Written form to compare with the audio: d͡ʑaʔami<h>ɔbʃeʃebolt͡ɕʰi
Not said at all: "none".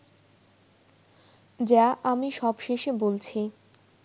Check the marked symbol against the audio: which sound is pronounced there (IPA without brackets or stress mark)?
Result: ʃ